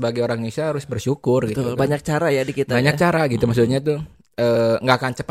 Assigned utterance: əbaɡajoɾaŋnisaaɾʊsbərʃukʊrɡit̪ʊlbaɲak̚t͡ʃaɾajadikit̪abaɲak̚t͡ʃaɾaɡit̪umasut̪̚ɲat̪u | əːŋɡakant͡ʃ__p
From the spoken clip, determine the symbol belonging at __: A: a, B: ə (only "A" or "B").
B